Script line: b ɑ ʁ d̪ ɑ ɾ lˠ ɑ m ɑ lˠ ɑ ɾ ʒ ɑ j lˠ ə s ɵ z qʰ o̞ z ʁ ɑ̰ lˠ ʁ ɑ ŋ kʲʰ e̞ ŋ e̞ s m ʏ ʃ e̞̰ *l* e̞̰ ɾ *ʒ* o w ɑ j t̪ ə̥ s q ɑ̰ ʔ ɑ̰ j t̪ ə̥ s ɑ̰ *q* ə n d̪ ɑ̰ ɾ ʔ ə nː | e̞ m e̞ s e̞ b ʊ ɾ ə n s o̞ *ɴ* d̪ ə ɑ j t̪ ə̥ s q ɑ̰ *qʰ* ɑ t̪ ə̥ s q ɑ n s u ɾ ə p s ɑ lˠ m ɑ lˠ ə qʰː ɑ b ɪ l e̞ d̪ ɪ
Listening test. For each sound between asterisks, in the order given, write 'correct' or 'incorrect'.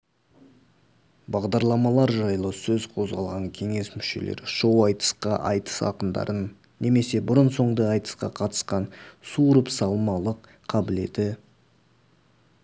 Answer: correct, incorrect, correct, correct, correct

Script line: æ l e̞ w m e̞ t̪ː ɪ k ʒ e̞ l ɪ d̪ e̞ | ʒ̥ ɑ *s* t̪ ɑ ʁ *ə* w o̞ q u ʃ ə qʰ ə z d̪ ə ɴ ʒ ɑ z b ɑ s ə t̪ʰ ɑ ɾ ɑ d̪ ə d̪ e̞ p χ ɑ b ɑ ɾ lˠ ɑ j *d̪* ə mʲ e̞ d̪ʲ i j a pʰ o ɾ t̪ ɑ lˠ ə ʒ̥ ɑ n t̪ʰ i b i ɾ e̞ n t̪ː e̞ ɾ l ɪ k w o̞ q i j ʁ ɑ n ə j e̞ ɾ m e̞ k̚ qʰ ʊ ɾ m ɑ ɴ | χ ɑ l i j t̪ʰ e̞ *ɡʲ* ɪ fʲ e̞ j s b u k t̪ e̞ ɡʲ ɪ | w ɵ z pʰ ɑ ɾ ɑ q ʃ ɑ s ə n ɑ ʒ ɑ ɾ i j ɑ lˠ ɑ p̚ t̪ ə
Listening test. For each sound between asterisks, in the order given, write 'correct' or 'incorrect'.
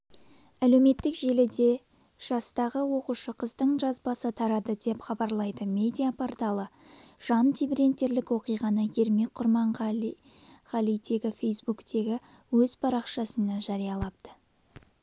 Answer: correct, correct, correct, correct

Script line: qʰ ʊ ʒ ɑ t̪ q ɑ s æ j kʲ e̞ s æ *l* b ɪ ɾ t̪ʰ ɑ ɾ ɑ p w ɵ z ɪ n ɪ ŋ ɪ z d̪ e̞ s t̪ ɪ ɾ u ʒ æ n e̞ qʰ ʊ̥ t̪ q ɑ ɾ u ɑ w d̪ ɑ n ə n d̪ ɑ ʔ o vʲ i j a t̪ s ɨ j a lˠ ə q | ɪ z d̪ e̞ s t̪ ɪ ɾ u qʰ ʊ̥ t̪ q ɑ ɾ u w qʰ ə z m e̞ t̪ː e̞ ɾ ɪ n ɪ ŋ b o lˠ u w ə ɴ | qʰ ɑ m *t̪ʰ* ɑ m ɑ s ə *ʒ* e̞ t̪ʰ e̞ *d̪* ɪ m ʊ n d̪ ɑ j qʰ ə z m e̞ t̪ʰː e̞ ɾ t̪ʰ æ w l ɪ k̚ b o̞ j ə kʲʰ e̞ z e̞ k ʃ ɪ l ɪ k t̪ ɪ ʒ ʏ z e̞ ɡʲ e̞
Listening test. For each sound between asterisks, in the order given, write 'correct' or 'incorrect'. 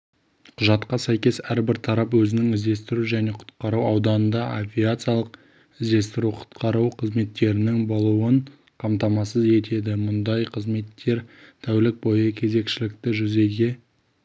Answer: incorrect, incorrect, incorrect, correct

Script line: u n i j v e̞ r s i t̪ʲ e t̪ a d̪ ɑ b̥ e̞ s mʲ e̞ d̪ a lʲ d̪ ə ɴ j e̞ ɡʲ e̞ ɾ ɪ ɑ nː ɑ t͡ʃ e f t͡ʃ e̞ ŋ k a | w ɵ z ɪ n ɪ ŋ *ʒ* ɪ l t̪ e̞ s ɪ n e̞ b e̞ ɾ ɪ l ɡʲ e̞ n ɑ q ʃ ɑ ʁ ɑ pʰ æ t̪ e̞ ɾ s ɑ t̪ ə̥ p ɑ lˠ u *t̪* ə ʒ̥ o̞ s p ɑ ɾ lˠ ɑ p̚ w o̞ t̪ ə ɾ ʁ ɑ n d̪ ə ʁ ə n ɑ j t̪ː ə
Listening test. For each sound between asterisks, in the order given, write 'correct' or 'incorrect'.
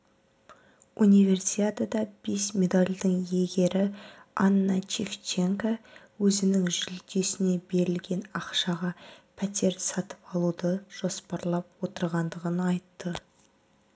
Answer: correct, incorrect

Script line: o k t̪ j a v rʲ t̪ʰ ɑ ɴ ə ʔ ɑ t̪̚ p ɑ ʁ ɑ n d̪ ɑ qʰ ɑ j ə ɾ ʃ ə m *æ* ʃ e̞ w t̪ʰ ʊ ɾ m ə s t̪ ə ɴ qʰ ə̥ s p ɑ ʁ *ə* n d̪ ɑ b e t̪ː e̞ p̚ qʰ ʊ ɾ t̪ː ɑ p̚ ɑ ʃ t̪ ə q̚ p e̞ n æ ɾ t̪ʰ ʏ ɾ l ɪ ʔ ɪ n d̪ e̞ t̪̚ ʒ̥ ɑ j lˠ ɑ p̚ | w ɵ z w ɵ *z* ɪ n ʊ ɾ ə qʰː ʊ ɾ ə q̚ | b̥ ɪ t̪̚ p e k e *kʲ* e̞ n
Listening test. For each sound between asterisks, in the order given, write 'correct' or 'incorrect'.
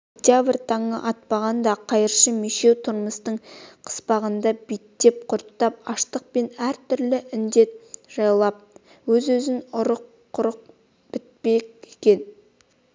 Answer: incorrect, correct, correct, correct

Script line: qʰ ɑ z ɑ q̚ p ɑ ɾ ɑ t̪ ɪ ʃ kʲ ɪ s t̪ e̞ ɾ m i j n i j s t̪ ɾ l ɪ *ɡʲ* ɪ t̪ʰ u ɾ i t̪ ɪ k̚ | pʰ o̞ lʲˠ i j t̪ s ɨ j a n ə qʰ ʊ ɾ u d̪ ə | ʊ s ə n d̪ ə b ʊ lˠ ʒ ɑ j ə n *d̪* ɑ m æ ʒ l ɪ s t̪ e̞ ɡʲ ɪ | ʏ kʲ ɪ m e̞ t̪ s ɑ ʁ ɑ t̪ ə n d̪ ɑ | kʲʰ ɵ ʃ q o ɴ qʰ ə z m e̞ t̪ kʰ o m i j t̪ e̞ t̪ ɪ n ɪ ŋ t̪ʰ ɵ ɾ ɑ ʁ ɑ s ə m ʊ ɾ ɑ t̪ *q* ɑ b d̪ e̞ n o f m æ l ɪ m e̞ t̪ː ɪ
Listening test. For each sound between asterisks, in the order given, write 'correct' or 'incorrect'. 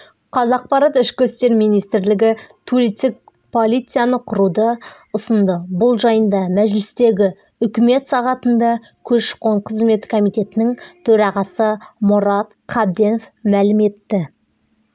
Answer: correct, correct, incorrect

